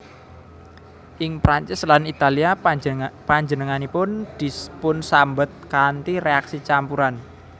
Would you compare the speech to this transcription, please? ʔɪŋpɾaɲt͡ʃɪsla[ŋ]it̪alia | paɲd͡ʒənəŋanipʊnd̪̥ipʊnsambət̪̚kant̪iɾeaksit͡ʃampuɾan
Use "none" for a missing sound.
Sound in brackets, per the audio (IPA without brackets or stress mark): n